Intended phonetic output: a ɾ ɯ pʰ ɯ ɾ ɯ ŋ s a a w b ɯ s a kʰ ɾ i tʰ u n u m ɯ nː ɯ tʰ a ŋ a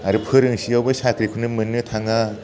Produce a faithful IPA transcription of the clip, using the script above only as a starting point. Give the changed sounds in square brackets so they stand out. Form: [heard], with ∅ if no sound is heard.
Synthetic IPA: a ɾ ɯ pʰ ɯ ɾ ɯ ŋ s [i] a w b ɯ s a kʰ ɾ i [kʰ] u n [ɯ] m ɯ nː ɯ tʰ a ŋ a